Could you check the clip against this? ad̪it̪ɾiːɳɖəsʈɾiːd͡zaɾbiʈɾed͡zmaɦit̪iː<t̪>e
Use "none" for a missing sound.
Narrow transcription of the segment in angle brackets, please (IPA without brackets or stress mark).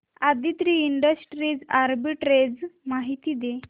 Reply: d̪